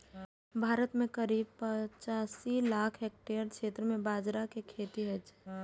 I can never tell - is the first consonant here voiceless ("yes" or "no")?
no